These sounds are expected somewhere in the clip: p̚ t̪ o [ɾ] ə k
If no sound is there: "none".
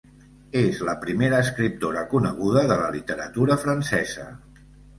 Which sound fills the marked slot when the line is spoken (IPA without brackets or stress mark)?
ɾ